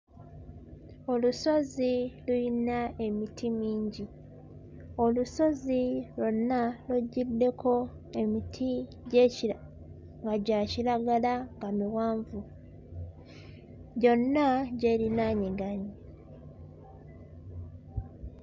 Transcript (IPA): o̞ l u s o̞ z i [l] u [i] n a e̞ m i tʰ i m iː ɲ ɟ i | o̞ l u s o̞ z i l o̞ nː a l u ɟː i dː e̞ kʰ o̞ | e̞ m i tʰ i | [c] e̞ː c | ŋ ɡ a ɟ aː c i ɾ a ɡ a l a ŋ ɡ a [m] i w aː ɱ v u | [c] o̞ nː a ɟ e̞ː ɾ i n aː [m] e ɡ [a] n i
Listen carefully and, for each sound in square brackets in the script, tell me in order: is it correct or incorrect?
correct, correct, incorrect, correct, incorrect, incorrect, correct

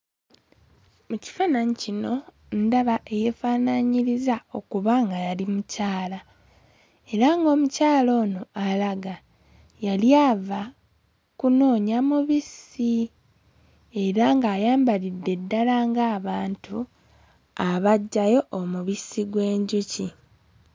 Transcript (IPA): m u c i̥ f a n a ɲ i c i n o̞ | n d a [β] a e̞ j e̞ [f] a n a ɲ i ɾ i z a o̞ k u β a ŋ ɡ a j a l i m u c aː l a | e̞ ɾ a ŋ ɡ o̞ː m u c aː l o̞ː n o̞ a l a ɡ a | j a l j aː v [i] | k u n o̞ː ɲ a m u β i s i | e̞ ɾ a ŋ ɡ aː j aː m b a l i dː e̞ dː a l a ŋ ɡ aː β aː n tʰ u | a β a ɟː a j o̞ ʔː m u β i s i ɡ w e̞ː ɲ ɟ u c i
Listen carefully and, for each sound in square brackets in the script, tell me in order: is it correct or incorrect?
correct, correct, incorrect

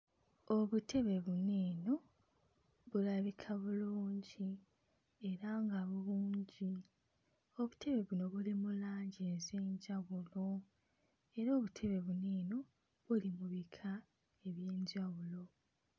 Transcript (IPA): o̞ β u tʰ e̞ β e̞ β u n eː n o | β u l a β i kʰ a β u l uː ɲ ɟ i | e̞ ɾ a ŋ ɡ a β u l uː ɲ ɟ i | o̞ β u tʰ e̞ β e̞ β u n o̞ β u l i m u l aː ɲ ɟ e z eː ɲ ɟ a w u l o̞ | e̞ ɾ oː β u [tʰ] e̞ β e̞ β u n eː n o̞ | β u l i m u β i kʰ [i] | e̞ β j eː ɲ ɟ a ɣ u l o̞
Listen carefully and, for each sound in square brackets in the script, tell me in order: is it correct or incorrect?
correct, incorrect

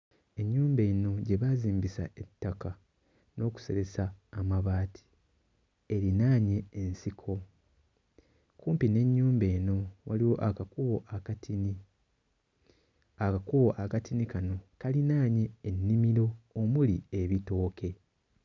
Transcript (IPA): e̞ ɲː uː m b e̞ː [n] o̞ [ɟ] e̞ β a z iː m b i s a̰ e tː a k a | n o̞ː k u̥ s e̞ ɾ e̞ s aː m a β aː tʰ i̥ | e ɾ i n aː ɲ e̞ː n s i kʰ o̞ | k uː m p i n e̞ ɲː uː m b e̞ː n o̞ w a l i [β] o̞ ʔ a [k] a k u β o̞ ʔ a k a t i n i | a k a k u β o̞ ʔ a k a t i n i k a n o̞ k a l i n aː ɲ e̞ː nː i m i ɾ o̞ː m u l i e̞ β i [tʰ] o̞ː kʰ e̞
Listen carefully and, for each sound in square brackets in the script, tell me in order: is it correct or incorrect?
correct, correct, incorrect, correct, incorrect

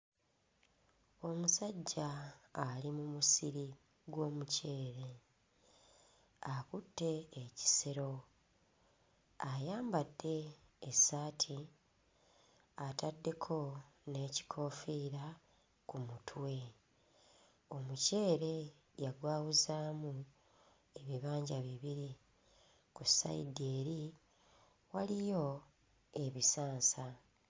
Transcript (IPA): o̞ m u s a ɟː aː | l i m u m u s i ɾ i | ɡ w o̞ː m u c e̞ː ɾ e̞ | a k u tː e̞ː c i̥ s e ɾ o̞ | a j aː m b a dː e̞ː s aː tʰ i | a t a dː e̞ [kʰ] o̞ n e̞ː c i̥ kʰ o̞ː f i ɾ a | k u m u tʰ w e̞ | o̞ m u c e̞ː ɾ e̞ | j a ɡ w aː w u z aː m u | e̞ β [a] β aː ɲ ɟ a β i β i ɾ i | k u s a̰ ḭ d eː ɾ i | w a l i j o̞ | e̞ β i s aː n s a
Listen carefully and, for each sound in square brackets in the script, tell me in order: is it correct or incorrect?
correct, incorrect

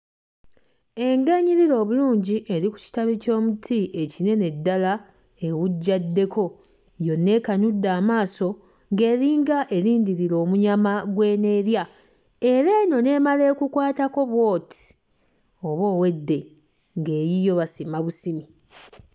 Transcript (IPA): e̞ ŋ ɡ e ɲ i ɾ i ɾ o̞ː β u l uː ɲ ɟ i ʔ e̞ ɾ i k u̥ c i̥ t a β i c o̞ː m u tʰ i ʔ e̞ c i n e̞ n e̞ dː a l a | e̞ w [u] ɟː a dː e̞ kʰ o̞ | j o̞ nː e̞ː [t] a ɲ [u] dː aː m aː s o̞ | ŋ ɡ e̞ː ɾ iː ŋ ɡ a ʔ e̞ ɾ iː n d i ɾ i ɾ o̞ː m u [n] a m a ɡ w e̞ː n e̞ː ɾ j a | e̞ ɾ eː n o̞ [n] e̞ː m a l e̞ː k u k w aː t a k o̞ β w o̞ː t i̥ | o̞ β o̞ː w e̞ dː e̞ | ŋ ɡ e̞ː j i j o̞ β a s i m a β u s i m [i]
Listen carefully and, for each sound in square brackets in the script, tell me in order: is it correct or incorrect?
correct, incorrect, correct, incorrect, correct, correct

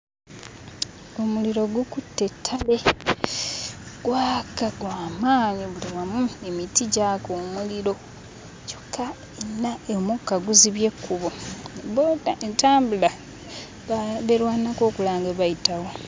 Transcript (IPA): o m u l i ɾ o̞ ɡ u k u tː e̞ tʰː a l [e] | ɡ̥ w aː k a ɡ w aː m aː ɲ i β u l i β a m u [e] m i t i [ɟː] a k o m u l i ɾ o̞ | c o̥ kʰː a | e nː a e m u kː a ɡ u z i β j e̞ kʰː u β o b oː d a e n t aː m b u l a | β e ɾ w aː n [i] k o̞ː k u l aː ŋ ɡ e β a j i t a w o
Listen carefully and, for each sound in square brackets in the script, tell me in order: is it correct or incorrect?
correct, correct, incorrect, incorrect

